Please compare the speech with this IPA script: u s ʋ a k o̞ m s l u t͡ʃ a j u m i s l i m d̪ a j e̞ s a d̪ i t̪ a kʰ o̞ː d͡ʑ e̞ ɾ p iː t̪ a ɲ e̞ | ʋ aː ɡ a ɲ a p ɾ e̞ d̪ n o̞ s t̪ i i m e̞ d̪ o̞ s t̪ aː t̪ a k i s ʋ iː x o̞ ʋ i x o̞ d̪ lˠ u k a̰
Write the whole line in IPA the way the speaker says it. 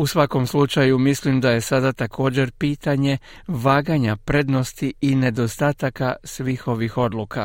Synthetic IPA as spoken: u s ʋ a k o̞ m s l u t͡ʃ a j u m i s l i m d̪ a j e̞ s a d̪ a t̪ a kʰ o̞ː d͡ʑ e̞ ɾ p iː t̪ a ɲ e̞ | ʋ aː ɡ a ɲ a p ɾ e̞ d̪ n o̞ s t̪ i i n e̞ d̪ o̞ s t̪ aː t̪ a k a s ʋ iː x o̞ ʋ i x o̞ d̪ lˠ u k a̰